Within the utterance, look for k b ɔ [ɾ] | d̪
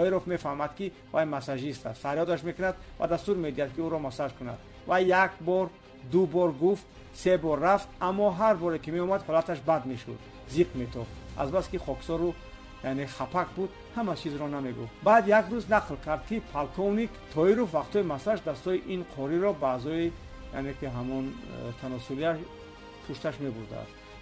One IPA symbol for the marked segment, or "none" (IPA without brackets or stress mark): ɾ